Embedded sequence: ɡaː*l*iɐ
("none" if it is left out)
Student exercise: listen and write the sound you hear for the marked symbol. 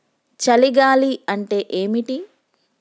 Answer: l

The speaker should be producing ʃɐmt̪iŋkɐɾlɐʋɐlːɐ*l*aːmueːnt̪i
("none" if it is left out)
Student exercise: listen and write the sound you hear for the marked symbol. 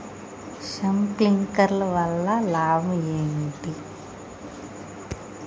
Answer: l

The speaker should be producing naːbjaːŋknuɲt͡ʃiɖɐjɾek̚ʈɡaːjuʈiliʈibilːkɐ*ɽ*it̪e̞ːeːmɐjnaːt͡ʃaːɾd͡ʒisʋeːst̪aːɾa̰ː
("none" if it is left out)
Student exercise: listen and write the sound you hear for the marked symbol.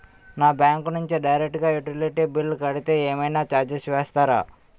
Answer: ɽ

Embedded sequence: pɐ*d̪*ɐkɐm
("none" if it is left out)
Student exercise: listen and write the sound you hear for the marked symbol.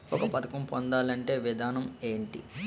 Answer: t̪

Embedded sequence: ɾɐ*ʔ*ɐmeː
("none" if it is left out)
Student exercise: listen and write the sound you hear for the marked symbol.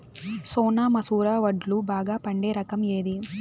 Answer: k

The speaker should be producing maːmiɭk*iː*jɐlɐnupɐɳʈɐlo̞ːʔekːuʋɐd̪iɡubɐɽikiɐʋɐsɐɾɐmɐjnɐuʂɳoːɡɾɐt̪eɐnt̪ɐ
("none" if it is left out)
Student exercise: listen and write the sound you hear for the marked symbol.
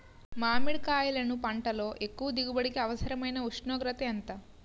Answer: aː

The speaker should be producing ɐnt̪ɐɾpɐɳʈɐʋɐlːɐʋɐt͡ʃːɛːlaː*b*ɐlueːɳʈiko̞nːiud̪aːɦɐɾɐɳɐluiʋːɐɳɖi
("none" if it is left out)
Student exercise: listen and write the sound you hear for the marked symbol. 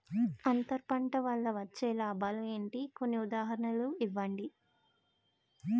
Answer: b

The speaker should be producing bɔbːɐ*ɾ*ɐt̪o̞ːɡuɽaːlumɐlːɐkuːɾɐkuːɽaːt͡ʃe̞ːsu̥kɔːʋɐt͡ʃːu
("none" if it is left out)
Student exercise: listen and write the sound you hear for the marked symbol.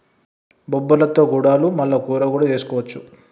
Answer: l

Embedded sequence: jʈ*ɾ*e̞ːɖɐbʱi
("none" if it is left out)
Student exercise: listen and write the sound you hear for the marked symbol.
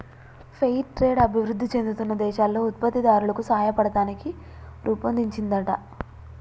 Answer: ɾ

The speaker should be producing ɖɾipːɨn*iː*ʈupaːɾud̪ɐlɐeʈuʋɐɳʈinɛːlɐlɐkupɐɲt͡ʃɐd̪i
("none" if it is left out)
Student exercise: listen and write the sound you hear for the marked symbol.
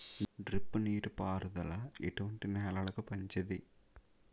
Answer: iː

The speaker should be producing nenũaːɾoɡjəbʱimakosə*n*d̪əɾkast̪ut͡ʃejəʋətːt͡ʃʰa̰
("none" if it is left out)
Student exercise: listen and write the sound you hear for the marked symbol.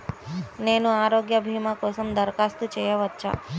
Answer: m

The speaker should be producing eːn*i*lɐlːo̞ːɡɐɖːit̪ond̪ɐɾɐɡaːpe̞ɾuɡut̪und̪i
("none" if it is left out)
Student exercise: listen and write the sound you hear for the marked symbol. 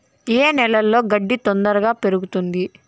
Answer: ɛ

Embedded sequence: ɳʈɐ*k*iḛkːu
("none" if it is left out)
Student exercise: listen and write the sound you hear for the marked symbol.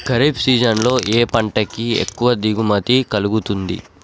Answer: k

